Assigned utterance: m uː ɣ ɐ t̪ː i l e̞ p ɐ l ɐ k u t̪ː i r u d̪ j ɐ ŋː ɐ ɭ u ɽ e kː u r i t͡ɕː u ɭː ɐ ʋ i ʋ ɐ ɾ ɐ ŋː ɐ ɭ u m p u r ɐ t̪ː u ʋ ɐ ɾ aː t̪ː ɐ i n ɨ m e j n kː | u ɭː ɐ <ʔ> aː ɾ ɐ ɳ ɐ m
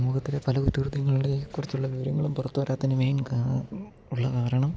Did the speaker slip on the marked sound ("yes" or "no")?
yes